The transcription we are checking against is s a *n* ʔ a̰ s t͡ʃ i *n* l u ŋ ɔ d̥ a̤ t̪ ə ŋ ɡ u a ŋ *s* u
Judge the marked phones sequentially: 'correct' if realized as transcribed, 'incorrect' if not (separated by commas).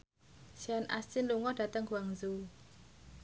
correct, correct, incorrect